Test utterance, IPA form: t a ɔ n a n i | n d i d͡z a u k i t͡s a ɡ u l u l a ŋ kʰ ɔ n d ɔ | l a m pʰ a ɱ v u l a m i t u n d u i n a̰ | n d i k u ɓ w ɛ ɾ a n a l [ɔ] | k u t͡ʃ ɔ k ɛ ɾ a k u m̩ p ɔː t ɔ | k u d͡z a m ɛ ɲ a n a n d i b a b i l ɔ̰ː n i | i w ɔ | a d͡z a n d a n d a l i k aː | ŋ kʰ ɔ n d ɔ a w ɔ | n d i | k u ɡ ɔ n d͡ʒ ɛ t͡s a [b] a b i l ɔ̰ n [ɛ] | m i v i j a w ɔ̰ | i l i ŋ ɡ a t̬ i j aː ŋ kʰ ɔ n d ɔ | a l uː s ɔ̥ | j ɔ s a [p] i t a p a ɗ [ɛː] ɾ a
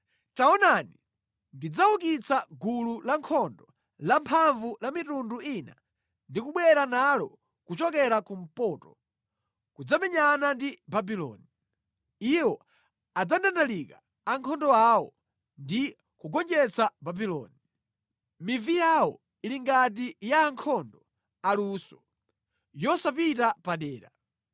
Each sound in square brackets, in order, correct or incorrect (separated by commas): correct, correct, incorrect, correct, correct